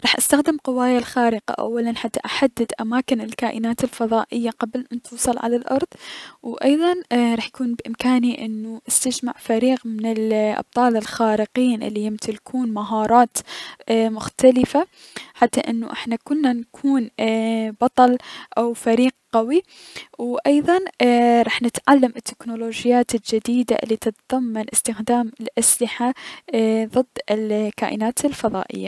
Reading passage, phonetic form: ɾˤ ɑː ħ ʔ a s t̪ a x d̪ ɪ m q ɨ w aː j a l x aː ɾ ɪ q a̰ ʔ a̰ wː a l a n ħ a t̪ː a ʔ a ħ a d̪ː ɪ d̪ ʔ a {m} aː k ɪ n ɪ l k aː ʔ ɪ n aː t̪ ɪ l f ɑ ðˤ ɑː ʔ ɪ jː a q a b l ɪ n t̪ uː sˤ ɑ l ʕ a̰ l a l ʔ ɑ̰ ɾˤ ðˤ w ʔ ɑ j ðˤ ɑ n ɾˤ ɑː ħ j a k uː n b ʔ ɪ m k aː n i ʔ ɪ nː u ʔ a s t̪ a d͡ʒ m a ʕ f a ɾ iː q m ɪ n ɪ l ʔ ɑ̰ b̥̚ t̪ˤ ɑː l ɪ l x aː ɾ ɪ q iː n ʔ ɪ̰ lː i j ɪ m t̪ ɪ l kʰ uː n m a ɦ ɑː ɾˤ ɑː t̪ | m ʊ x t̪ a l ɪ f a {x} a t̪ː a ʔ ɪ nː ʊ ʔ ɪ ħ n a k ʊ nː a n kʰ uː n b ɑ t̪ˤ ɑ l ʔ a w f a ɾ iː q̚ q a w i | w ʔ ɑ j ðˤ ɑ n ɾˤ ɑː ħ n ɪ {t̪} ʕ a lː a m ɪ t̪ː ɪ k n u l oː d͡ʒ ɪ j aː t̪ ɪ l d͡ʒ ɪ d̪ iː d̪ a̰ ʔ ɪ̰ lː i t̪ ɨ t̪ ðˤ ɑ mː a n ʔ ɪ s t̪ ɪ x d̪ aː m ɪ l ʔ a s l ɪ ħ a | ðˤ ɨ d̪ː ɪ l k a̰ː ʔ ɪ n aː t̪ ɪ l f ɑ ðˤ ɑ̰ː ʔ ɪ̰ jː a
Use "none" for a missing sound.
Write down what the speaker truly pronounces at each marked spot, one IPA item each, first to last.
m, ħ, t̪

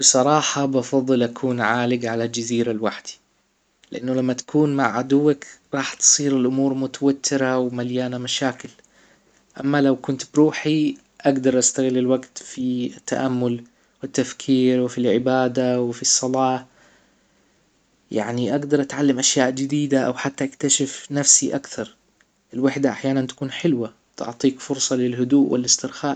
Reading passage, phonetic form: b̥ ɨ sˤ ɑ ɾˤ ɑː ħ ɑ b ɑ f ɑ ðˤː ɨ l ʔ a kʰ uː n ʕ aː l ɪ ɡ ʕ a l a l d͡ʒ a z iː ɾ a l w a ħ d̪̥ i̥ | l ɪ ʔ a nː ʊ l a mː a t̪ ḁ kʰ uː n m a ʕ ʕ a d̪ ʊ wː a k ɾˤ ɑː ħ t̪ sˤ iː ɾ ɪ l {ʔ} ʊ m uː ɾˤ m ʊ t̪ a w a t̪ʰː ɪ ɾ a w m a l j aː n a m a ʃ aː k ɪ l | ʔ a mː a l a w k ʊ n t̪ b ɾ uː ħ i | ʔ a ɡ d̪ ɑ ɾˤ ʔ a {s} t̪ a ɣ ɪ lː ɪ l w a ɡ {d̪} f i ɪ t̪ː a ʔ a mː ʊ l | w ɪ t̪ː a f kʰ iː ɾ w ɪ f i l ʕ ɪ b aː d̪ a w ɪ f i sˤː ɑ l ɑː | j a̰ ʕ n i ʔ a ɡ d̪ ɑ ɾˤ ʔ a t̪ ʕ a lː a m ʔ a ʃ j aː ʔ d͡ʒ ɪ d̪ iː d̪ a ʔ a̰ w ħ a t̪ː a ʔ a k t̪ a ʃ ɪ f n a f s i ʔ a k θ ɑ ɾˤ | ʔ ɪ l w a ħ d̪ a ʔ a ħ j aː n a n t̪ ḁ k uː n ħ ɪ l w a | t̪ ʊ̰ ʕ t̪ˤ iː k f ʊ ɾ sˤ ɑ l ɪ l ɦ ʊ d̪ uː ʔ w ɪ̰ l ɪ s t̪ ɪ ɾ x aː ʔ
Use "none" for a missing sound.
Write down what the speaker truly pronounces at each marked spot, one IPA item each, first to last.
ʔ, s, t̪

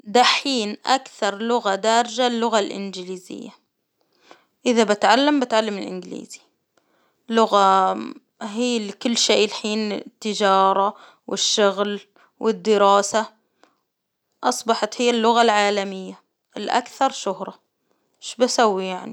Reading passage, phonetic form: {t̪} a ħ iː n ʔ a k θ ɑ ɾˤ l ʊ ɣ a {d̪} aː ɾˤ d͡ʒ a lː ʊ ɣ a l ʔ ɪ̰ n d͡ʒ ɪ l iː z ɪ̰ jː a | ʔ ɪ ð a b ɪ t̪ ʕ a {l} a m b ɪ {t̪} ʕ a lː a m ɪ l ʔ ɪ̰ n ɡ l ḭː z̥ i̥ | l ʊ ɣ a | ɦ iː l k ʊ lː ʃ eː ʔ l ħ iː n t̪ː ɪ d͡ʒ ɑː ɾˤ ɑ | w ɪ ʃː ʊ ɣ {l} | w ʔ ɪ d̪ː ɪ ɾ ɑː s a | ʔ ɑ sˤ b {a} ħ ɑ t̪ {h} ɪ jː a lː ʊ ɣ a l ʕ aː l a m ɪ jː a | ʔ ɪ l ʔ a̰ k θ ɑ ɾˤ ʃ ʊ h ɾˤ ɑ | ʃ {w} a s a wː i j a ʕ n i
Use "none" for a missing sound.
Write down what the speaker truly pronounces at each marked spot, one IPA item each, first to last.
d̪, d̪, lː, t̪, l, ɑ, h, b

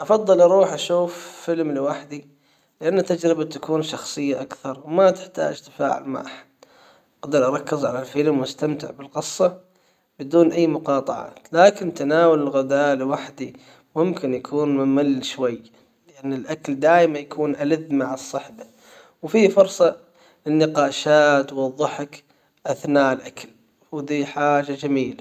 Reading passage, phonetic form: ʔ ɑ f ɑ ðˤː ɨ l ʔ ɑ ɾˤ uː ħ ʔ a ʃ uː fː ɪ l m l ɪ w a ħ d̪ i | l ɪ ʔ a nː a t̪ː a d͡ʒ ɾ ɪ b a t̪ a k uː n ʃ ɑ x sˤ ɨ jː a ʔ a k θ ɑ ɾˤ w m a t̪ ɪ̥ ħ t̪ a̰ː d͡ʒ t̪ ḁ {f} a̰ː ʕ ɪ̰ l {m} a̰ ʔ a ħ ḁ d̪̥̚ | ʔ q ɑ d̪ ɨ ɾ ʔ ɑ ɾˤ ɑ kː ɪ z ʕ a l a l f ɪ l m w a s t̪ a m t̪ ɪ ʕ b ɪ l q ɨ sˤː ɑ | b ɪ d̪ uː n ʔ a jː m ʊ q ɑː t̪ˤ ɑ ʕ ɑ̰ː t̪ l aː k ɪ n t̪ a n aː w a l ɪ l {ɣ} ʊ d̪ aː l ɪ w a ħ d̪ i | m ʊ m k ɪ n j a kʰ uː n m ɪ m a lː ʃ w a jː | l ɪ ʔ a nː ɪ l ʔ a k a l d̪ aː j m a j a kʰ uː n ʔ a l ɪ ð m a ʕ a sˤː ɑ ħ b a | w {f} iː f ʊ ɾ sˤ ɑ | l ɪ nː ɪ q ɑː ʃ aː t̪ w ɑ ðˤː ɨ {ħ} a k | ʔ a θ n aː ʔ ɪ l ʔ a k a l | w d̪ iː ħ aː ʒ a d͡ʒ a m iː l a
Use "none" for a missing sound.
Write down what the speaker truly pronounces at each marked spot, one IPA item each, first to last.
f, m, ɣ, f, ħ

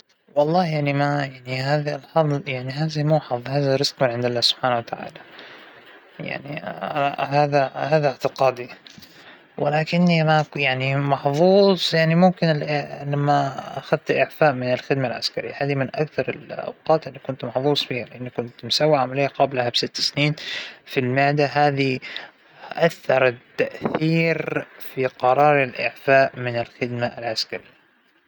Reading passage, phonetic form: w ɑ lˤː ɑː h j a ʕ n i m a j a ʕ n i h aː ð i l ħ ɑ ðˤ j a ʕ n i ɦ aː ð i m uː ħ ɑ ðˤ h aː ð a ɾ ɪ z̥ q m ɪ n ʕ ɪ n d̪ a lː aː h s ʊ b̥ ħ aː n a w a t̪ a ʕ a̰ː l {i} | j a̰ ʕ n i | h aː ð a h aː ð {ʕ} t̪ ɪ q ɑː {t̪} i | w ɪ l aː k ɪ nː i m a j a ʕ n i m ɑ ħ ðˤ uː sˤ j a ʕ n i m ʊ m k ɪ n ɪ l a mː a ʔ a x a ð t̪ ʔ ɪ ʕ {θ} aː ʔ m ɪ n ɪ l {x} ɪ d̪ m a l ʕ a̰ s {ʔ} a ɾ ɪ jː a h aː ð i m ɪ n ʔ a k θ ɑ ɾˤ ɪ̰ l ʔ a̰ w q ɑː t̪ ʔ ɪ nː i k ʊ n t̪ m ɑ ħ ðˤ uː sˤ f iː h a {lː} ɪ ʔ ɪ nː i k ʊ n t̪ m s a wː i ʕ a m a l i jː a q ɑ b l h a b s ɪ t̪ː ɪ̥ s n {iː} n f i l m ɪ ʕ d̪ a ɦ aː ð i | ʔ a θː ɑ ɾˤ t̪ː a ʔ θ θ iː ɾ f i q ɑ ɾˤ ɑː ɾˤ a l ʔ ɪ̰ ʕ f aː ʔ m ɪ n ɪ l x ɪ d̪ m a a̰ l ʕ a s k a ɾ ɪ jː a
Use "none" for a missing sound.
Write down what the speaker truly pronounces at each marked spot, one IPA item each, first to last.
a, ʕ, d̪, f, x, k, l, iː

